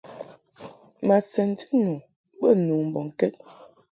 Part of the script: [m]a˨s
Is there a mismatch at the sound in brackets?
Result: no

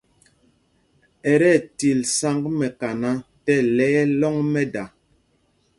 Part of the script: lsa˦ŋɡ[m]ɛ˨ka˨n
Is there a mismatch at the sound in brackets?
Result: no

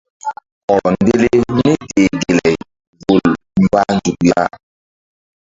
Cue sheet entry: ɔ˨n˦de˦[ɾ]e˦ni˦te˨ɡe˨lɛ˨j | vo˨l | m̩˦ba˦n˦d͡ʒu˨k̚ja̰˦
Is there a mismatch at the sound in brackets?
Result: yes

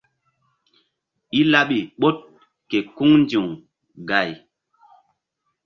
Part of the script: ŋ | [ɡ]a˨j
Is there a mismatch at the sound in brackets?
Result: no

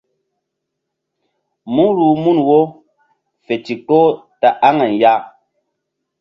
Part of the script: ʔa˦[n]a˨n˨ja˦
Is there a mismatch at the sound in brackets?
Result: yes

